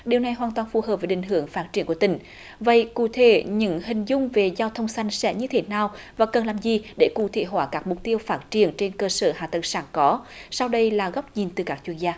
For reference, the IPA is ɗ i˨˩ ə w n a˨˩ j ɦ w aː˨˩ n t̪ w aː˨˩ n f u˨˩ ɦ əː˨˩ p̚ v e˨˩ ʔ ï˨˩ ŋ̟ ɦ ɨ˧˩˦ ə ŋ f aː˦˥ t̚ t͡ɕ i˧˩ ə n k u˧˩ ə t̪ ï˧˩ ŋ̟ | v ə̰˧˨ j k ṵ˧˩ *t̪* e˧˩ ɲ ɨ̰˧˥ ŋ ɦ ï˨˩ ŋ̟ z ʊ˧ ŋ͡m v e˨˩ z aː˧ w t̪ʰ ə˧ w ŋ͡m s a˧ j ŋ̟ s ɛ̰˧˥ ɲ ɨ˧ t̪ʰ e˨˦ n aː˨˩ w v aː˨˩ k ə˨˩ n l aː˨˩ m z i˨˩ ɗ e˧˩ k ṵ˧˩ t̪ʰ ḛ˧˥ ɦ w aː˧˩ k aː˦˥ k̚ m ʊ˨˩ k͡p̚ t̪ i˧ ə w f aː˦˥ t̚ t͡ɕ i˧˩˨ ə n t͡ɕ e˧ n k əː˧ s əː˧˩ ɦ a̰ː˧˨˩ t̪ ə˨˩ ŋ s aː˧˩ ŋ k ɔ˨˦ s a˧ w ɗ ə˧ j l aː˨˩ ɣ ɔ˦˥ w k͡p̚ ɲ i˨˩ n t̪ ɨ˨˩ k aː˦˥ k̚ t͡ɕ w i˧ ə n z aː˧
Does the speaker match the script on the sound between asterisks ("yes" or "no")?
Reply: no